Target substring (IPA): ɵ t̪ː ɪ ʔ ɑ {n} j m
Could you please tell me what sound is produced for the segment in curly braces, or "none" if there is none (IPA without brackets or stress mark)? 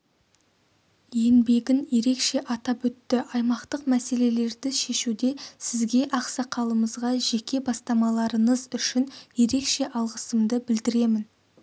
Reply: none